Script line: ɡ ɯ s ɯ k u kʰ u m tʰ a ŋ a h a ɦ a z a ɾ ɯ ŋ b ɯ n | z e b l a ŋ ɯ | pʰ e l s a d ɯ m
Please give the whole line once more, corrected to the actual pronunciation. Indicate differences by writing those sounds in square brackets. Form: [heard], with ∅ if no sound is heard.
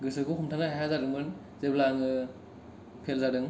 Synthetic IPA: ɡ ɯ s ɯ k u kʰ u m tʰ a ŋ a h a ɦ a z a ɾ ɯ ŋ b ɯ n | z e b l a ŋ ɯ | pʰ e l [z] a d ɯ [ŋ]

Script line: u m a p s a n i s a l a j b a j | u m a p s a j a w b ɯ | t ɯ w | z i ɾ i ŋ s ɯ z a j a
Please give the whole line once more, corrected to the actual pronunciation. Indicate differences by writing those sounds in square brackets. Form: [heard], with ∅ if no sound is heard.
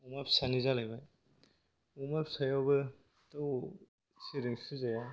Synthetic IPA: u m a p s a n i [z] a l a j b a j | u m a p s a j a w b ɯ | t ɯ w | [s] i ɾ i ŋ s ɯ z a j a

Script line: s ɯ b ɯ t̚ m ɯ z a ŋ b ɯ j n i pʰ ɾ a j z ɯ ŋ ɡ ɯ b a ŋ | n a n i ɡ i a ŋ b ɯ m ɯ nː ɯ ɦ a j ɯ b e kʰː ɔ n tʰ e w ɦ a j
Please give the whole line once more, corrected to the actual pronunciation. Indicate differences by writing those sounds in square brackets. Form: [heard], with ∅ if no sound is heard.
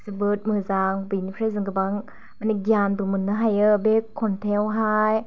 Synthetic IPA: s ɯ b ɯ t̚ m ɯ z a ŋ b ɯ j n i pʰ ɾ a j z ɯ ŋ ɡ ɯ b a ŋ | [m] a n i ɡ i a [n] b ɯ m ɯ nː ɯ ɦ a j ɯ b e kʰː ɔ n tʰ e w ɦ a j

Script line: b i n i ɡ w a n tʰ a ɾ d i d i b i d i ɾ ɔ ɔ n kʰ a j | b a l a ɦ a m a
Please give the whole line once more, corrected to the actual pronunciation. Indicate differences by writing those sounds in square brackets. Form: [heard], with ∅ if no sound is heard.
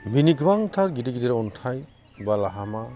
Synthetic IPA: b i n i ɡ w a [ŋ] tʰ a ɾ [ɡ] i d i [ɡ] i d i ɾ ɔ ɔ n [tʰ] a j | b a l a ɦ a m a

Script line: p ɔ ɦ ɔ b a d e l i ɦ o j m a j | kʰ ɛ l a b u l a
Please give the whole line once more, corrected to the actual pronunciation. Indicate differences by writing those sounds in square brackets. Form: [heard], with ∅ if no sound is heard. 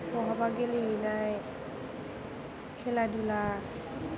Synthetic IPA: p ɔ ɦ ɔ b a [ɡ] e l i ɦ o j [n] a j | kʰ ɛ l a [d] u l a

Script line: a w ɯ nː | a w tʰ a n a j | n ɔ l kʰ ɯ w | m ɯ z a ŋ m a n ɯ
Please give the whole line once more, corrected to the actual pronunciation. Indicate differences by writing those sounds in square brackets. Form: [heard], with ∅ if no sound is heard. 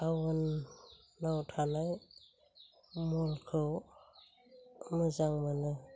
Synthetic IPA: a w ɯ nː | a w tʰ a n a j | [m] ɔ l kʰ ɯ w | m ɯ z a ŋ m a n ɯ

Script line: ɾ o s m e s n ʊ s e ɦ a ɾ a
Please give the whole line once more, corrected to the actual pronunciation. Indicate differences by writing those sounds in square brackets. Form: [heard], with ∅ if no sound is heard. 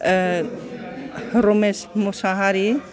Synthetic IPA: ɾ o [∅] m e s [m] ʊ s [a] ɦ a ɾ [i]

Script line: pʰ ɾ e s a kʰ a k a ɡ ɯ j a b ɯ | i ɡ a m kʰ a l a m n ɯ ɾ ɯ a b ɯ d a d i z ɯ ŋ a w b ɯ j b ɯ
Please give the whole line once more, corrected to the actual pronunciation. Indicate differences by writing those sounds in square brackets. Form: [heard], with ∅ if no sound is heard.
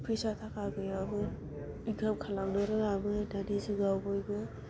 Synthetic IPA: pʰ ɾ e s a [tʰ] a k a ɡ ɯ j a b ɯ | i ɡ a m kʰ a l a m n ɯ ɾ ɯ a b ɯ d a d i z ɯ [ɡ] a w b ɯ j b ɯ

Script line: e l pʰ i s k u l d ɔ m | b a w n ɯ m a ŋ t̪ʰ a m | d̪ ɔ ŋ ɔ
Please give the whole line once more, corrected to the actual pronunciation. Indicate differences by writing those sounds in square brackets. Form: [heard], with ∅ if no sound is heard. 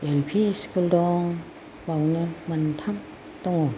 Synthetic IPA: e l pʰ i s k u l d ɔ [ŋ] | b a w n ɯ m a [n] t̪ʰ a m | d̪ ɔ ŋ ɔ

